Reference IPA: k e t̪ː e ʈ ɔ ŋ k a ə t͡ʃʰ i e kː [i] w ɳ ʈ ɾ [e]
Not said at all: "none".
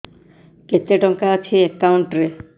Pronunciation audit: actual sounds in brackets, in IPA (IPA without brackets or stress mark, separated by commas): a, e